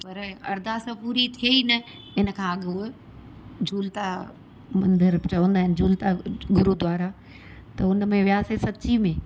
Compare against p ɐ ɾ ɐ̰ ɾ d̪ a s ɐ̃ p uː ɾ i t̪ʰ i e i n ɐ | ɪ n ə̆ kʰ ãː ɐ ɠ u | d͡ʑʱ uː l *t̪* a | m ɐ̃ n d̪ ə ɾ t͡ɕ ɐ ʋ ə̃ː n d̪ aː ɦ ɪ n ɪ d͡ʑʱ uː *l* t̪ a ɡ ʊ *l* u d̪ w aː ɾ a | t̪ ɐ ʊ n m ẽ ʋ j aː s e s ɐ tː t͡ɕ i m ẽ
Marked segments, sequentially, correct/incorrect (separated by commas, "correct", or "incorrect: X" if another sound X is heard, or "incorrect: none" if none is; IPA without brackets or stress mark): correct, correct, incorrect: ɾ